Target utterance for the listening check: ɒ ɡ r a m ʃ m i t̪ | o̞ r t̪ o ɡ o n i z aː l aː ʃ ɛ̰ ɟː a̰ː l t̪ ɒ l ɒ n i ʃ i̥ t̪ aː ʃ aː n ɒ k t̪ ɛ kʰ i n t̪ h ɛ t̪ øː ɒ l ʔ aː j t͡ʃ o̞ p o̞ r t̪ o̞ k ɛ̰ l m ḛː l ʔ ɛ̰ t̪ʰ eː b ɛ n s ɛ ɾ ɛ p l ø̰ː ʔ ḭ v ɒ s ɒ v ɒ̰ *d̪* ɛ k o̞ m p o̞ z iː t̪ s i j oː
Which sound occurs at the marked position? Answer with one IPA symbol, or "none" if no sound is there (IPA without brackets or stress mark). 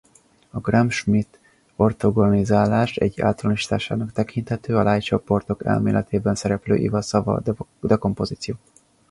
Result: d̪